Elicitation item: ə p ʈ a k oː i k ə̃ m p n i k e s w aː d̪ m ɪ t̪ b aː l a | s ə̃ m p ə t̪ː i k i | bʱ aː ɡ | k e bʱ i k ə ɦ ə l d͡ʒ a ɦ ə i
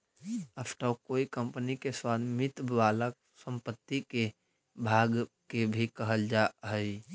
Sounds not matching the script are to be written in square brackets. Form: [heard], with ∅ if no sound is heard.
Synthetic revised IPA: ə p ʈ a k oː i k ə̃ m p n i k e s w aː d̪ m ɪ t̪ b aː l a | s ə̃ m p ə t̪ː i k [e] | bʱ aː ɡ | k e bʱ i k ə ɦ ə l d͡ʒ a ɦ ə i